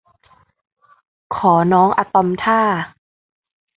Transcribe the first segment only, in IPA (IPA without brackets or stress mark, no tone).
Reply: kʰ